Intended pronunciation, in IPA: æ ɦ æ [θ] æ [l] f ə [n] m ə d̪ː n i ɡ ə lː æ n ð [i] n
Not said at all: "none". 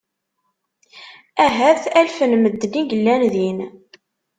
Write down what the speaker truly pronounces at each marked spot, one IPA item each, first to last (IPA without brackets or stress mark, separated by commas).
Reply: θ, l, n, i